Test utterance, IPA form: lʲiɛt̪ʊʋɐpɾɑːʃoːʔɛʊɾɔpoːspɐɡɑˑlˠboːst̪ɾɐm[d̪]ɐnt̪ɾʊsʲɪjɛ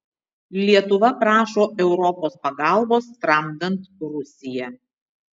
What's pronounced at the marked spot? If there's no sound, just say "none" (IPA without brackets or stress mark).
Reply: d̪